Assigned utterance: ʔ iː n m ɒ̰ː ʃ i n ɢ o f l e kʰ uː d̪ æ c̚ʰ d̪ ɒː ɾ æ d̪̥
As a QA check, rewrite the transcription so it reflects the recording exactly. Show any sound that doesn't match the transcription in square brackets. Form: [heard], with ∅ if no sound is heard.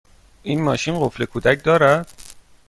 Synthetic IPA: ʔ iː n m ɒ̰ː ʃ i n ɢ o f l e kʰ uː d̪ æ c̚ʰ d̪ ɒː ɾ æ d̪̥

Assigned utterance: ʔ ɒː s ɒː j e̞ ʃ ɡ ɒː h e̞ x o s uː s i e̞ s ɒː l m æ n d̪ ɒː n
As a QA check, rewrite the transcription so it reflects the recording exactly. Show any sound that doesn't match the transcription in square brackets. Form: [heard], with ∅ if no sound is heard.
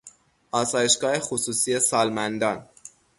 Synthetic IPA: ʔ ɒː s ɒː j e̞ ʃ ɡ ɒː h e̞ x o s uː s i e̞ s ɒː l m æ n d̪ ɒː n

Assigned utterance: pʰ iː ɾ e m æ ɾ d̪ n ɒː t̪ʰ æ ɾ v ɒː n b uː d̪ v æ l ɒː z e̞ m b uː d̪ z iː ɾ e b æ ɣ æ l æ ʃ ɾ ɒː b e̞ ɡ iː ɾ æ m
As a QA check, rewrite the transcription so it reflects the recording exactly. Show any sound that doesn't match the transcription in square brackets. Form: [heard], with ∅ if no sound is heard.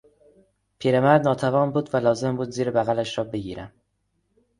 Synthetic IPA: pʰ iː ɾ e m æ ɾ d̪ n ɒː t̪ʰ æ [∅] v ɒː n b uː d̪ v æ l ɒː z e̞ m b uː d̪ z iː ɾ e b æ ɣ æ l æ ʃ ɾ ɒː b e̞ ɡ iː ɾ æ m

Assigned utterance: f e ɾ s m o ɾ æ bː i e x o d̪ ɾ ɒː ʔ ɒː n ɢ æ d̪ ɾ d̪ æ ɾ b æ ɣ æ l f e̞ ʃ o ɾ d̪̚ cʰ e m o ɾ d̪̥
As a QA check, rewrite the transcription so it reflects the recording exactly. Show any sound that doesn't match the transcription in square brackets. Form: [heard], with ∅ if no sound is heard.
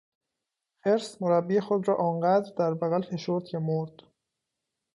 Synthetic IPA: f e ɾ s m o ɾ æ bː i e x o d̪ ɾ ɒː ʔ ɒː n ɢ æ d̪ ɾ d̪ æ ɾ b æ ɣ æ l f e̞ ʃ o ɾ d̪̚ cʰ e m o ɾ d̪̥

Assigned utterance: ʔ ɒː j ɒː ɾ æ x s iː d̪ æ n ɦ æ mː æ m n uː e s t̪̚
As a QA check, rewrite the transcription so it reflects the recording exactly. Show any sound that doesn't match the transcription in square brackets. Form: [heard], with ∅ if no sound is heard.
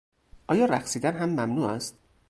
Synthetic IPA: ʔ ɒː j ɒː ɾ æ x s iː d̪ æ n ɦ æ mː æ m n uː [æ] s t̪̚

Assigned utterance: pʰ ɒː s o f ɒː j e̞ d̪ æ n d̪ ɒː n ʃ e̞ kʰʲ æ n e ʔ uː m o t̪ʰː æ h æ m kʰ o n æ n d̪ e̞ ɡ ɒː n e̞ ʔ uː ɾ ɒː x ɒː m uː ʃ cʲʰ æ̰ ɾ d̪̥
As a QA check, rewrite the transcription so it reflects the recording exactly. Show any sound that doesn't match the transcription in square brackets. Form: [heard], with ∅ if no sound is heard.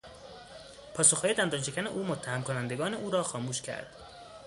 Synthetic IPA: pʰ ɒː s o [x] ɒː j e̞ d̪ æ n d̪ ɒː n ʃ e̞ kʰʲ æ n e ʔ uː m o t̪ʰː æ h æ m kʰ o n æ n d̪ e̞ ɡ ɒː n e̞ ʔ uː ɾ ɒː x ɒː m uː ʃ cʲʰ æ̰ ɾ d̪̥

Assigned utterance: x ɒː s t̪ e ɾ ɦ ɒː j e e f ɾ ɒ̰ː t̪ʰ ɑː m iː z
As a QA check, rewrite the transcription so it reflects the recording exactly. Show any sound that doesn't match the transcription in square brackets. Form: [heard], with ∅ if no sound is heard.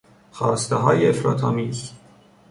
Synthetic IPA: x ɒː s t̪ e [∅] ɦ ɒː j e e f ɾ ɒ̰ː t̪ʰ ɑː m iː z

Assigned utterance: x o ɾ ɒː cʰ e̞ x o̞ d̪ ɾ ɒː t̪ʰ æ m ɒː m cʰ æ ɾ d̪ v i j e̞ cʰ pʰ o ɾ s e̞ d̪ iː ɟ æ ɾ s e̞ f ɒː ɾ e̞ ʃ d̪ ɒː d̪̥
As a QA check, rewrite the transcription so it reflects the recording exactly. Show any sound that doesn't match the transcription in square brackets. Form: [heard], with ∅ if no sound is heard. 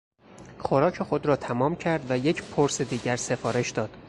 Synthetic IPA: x o ɾ ɒː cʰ e̞ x o̞ d̪ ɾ ɒː t̪ʰ æ m ɒː m cʰ æ ɾ d̪ v [æ] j e̞ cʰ pʰ o ɾ s e̞ d̪ iː ɟ æ ɾ s e̞ f ɒː ɾ e̞ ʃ d̪ ɒː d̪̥

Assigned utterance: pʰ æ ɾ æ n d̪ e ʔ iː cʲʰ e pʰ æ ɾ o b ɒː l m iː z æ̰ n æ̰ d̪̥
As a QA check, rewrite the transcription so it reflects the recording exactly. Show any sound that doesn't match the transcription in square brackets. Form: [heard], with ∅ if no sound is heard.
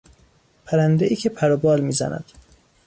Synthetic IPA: pʰ æ ɾ æ n d̪ e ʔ iː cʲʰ e pʰ æ ɾ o b ɒː l m iː z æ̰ n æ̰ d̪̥

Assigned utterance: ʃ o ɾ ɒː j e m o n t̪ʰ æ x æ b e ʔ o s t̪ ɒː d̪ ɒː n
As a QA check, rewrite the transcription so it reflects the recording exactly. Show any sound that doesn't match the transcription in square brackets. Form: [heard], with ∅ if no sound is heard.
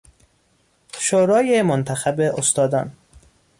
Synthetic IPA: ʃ o ɾ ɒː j e m o n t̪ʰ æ x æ b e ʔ o s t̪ ɒː d̪ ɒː n

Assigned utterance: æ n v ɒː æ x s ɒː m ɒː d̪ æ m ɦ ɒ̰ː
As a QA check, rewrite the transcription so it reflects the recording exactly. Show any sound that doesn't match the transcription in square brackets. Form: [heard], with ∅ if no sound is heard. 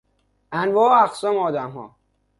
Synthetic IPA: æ n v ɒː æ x s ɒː m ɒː d̪ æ m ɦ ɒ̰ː

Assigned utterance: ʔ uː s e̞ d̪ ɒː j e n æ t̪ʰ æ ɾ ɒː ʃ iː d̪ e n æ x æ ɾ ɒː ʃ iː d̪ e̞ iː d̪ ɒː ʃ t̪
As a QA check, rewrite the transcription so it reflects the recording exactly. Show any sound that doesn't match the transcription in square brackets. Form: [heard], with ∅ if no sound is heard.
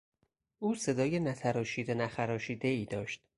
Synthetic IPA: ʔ uː s e̞ d̪ ɒː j e n æ t̪ʰ æ ɾ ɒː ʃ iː d̪ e n æ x æ ɾ ɒː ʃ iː d̪ e̞ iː d̪ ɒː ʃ t̪

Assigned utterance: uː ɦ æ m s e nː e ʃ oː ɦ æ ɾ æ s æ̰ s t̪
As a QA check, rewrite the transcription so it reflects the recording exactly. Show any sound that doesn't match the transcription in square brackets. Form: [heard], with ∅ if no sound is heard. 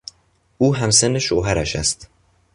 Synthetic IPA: uː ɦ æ m s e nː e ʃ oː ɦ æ ɾ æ [ʃ] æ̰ s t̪

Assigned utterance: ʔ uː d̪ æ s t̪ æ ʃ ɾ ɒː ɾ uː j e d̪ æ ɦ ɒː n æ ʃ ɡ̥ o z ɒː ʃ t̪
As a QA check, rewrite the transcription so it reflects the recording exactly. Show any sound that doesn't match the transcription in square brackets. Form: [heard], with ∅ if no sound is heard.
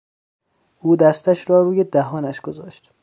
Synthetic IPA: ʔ uː d̪ æ s t̪ æ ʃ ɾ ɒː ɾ uː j e d̪ æ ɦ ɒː n æ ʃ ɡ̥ o z ɒː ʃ t̪

